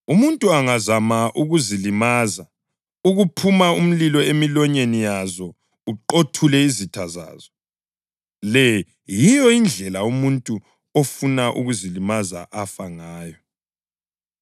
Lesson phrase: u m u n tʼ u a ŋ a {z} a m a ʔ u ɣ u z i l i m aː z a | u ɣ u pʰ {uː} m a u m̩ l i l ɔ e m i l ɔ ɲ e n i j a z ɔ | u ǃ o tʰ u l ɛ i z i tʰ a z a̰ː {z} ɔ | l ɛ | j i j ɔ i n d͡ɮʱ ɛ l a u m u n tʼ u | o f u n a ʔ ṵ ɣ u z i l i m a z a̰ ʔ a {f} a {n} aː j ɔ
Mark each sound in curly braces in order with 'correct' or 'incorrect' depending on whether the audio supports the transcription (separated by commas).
correct, incorrect, correct, correct, incorrect